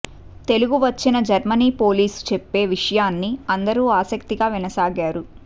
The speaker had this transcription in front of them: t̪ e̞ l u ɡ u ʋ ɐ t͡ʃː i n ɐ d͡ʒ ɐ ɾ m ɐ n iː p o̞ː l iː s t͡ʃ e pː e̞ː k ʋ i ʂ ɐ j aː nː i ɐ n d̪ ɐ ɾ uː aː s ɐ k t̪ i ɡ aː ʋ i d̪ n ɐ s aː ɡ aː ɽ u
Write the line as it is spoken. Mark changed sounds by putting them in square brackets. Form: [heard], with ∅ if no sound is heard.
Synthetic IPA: t̪ e̞ l u ɡ u ʋ ɐ t͡ʃː i n ɐ d͡ʒ ɐ ɾ m ɐ n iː p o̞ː l iː s t͡ʃ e pː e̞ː [∅] ʋ i ʂ ɐ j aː nː i ɐ n d̪ ɐ ɾ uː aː s ɐ k t̪ i ɡ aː ʋ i [∅] n ɐ s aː ɡ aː [ɾ] u

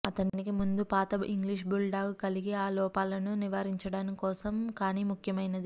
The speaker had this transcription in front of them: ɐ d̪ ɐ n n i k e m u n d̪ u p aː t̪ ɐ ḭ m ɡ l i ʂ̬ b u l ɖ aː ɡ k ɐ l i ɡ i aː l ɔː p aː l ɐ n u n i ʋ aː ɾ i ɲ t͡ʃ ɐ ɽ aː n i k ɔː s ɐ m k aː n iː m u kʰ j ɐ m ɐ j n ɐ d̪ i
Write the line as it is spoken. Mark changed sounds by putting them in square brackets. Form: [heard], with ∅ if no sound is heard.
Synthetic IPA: ɐ [t̪] ɐ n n i k [i] m u n d̪ u p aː t̪ ɐ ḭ [ŋ] ɡ l i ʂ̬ b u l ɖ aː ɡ k ɐ l i ɡ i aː l ɔː p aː l ɐ n u n i ʋ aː ɾ i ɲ t͡ʃ ɐ ɽ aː n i k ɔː s ɐ m k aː n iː m u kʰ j ɐ m ɐ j n ɐ d̪ i

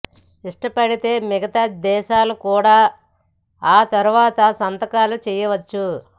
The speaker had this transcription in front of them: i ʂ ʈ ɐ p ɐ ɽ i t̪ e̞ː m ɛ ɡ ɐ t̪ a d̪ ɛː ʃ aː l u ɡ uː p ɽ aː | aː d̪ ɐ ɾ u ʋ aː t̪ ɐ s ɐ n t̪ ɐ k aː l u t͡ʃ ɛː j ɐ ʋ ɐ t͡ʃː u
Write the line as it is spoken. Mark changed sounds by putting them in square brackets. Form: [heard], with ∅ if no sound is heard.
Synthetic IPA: i ʂ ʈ ɐ p ɐ ɽ i t̪ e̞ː m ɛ ɡ ɐ t̪ a d̪ ɛː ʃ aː l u [k] uː [∅] ɽ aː | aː [t̪] ɐ ɾ u ʋ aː t̪ ɐ s ɐ n t̪ ɐ k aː l u t͡ʃ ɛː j ɐ ʋ ɐ t͡ʃː u

